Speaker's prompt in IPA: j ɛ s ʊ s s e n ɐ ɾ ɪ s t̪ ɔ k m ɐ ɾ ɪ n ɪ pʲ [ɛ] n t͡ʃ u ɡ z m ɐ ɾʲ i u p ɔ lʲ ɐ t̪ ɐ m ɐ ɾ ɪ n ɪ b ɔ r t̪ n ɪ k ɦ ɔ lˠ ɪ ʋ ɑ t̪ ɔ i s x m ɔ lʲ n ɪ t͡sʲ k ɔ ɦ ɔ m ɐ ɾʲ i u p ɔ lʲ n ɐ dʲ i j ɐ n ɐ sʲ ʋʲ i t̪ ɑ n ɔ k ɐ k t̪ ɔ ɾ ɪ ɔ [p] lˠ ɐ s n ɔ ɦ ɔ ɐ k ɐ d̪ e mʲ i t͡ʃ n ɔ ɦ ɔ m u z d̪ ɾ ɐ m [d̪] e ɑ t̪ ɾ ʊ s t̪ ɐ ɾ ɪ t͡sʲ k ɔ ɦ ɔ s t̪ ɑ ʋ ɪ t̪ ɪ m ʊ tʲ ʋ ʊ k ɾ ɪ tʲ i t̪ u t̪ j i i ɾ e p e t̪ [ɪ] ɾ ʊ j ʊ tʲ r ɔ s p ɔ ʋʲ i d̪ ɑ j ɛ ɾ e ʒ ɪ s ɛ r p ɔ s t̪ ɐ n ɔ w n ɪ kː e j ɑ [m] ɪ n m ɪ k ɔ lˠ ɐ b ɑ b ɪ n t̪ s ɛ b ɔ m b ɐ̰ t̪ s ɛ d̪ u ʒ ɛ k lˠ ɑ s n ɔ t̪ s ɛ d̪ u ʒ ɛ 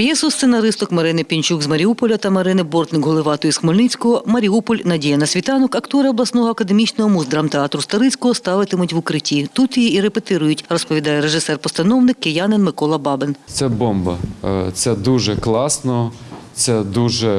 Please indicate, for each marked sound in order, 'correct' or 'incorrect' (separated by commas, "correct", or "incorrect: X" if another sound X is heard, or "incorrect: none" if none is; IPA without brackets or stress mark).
incorrect: i, incorrect: b, incorrect: t̪, correct, incorrect: n